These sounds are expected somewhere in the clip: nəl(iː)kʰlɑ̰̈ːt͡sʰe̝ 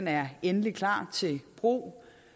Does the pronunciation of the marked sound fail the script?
yes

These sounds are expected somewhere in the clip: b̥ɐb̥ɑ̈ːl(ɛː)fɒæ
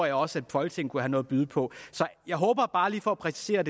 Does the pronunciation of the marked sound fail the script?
yes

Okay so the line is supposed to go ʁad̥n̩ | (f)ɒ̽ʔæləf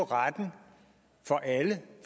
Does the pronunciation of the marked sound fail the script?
no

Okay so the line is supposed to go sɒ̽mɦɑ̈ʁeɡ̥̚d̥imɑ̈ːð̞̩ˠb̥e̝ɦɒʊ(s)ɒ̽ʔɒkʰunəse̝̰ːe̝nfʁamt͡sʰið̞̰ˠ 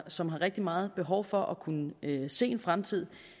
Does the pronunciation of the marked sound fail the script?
yes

